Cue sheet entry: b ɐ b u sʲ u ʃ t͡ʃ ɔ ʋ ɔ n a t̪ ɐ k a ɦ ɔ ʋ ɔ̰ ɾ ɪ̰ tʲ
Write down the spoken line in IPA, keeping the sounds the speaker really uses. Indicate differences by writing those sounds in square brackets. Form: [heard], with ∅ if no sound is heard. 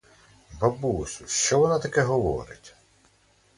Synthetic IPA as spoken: b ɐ b u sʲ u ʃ t͡ʃ ɔ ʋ ɔ n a t̪ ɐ k [ɛ] ɦ ɔ ʋ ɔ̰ ɾ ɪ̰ tʲ